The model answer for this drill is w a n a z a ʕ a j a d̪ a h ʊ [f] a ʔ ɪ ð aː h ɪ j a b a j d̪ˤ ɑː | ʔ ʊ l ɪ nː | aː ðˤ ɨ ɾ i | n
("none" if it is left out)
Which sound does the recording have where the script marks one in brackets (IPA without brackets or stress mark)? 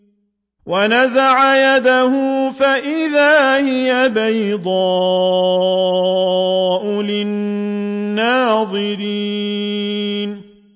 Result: f